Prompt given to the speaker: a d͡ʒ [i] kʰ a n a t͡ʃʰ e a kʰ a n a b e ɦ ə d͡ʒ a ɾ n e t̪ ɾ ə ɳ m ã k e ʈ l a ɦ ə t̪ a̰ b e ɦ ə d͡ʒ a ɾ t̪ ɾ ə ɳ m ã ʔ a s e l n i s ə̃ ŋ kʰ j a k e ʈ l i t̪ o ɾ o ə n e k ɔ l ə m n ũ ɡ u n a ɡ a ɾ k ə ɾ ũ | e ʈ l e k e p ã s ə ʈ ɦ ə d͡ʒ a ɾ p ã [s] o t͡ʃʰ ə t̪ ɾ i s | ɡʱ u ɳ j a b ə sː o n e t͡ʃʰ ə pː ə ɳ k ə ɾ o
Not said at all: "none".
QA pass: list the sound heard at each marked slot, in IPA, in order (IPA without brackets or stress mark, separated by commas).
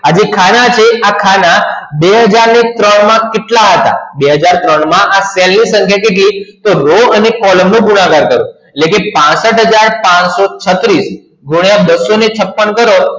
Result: e, s